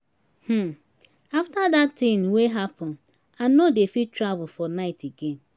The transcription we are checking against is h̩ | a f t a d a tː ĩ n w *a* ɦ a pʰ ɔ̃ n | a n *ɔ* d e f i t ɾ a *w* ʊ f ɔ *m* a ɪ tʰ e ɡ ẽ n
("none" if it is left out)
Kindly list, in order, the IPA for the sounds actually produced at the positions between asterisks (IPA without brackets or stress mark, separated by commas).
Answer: e, o, v, n